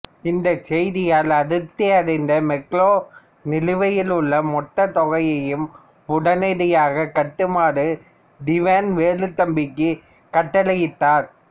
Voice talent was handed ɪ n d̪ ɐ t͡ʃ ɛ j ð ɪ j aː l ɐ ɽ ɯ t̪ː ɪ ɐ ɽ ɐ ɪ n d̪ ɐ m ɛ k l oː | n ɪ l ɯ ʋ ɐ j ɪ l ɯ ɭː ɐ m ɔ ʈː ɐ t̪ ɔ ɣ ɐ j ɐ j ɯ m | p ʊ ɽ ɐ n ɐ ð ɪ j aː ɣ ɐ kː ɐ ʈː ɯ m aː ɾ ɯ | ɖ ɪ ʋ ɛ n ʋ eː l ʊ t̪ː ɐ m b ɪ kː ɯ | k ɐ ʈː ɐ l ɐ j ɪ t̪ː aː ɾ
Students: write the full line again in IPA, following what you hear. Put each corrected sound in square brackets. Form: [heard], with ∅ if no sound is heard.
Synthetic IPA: ɪ n d̪ ɐ t͡ʃ ɛ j ð ɪ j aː l ɐ ɽ ɯ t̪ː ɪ ɐ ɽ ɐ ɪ n d̪ ɐ m ɛ k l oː | n ɪ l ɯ ʋ ɐ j ɪ l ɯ ɭː ɐ m ɔ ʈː ɐ t̪ ɔ ɣ ɐ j ɐ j ɯ m | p ʊ ɽ ɐ n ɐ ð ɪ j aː ɣ ɐ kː ɐ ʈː ɯ m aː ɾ ɯ | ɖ ɪ ʋ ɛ n ʋ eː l [ɯ] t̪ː ɐ m b ɪ kː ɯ | k ɐ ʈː ɐ l ɐ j ɪ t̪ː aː ɾ